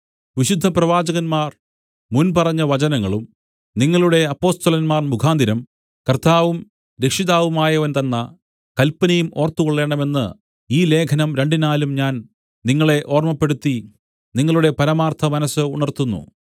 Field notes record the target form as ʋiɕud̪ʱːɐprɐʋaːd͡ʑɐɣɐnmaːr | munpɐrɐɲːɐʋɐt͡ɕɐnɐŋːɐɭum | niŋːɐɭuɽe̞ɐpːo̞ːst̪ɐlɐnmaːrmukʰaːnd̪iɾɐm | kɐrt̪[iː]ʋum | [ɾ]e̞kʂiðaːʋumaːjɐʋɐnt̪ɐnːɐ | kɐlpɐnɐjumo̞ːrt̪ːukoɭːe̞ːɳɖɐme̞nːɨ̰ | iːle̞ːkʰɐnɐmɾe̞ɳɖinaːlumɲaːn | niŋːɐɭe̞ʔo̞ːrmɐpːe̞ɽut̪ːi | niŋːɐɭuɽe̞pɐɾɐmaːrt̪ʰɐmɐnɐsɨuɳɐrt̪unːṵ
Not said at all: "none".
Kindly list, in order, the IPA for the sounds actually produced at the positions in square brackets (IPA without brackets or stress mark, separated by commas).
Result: aː, ɾ